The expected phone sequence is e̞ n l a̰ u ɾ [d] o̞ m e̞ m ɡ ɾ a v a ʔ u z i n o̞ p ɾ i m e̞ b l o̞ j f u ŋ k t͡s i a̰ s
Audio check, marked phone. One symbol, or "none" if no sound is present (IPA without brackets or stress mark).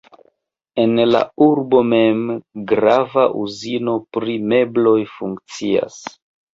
b